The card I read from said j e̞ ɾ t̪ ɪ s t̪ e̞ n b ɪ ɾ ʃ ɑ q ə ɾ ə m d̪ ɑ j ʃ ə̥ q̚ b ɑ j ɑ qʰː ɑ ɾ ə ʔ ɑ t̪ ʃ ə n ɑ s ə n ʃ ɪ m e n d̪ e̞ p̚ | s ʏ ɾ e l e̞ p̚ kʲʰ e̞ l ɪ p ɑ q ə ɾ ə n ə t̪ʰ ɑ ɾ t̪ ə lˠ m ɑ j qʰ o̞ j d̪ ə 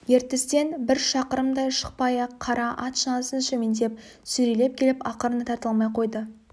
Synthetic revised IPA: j e̞ ɾ t̪ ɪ s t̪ e̞ n b ɪ ɾ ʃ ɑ q ə ɾ ə m d̪ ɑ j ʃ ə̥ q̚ p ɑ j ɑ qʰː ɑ ɾ ɑ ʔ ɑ t̪ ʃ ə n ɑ s ə n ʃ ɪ m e n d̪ e̞ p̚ | s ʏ ɾ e l e̞ p̚ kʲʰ e̞ l ɪ p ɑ q ə ɾ ə n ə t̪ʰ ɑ ɾ t̪ ə lˠ m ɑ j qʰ o̞ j d̪ ə